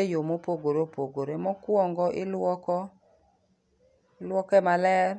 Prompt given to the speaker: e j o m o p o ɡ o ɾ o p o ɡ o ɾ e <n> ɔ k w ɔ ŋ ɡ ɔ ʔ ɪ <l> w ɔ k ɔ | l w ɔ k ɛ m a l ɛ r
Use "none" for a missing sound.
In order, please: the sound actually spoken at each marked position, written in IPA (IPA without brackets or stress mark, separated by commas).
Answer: m, l